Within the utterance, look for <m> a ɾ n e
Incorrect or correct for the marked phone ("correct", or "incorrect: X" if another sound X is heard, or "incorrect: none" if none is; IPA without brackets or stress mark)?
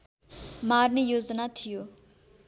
correct